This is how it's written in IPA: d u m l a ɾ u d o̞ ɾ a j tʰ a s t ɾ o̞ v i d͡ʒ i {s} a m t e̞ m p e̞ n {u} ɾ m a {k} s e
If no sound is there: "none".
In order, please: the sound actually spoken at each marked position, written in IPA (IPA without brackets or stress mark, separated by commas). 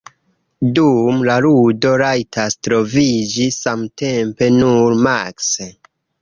s, u, k